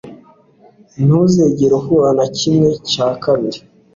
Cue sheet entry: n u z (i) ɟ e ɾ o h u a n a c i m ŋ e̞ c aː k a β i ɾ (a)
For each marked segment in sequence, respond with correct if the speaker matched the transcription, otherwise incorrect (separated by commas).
incorrect, incorrect